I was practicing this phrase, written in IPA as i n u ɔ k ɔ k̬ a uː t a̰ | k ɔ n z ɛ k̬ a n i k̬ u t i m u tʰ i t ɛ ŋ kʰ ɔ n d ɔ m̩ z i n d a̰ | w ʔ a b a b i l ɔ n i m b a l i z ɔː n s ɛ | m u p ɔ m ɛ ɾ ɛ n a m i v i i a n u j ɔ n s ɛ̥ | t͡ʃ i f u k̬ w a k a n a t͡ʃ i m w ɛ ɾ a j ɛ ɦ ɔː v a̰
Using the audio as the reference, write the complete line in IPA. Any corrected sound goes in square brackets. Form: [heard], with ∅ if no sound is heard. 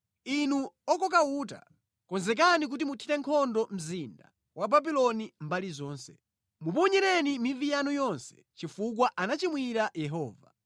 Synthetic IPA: i n u ɔ k ɔ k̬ a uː t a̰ | k ɔ n z ɛ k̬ a n i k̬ u t i m u tʰ i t ɛ ŋ kʰ ɔ n d ɔ m̩ z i n d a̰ | w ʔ a b a b i l ɔ n i m b a l i z ɔː n s ɛ | m u p ɔ [ɲ] ɛ ɾ ɛ n [i] m i v i [j] a n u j ɔ n s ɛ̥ | t͡ʃ i f u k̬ w a [ʔ] a n a t͡ʃ i m w [i] ɾ a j ɛ ɦ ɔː v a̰